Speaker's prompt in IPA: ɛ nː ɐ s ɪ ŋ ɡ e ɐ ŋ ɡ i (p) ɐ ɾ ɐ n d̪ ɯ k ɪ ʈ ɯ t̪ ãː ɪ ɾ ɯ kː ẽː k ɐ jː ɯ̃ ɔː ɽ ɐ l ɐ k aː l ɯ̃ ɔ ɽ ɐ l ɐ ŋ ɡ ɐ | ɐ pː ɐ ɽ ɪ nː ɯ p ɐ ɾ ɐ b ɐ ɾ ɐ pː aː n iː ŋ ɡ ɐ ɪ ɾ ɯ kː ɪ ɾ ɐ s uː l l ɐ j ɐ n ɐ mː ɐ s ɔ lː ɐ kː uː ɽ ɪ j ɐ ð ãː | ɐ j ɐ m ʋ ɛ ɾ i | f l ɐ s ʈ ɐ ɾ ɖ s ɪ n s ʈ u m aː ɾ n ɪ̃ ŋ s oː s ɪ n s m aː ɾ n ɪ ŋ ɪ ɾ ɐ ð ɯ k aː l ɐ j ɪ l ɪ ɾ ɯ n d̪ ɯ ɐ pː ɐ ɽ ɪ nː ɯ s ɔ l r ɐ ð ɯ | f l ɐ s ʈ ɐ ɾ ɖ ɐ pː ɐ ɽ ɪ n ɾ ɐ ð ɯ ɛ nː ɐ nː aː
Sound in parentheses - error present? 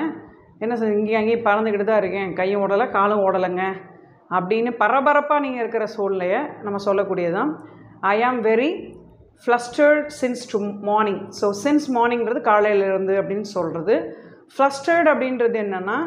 no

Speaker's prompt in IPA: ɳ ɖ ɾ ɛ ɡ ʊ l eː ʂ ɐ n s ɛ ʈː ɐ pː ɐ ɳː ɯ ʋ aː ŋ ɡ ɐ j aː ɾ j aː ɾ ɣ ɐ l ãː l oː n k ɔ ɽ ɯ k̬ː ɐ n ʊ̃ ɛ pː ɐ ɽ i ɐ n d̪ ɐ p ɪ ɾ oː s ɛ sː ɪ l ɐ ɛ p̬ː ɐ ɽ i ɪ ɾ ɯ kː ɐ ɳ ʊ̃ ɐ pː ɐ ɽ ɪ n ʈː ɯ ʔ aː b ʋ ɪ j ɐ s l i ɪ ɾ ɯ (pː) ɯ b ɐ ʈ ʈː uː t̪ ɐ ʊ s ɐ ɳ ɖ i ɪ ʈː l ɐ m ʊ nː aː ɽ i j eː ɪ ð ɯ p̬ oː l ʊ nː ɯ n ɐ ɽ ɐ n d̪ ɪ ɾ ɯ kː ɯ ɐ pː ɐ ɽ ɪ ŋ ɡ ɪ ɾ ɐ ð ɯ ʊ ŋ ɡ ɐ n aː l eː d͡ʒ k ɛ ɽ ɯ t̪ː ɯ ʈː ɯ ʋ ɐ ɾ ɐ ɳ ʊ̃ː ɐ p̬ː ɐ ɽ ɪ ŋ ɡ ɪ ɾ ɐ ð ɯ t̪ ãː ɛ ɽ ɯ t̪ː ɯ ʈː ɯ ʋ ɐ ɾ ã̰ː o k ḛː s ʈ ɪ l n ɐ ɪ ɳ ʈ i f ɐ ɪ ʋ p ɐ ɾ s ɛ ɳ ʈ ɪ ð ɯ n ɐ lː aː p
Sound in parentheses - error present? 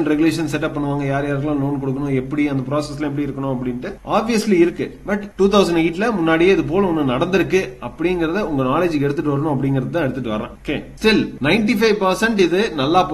yes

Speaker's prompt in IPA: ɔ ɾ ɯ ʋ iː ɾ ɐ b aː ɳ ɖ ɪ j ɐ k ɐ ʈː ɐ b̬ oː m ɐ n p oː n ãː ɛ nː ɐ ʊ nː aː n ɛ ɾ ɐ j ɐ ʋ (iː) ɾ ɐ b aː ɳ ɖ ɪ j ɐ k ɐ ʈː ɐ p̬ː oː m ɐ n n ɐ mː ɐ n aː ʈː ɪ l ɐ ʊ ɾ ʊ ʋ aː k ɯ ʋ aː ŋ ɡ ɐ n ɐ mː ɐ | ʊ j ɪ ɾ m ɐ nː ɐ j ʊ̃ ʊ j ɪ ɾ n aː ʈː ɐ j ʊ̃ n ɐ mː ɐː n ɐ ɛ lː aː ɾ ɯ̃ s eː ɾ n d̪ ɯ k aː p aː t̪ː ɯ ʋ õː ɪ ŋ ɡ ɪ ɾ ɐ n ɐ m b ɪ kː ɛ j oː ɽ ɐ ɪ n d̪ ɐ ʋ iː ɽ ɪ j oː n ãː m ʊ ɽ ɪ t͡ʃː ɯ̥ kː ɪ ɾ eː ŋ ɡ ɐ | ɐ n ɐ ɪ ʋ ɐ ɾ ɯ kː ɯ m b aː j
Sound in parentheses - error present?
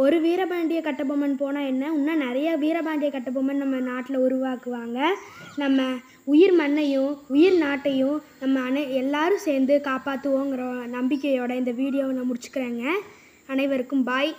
no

